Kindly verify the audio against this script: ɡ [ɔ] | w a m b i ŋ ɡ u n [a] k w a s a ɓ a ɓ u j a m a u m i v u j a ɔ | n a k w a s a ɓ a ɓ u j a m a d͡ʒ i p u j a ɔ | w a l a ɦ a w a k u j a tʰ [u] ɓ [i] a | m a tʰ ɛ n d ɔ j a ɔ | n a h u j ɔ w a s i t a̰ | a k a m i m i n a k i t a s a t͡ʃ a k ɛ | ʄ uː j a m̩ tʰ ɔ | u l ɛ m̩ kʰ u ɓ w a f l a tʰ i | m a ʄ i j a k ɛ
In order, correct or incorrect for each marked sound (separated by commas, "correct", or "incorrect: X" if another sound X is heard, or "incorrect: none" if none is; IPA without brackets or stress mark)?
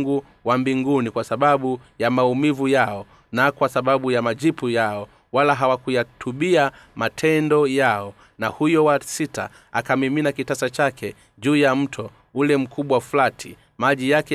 incorrect: u, incorrect: i, correct, correct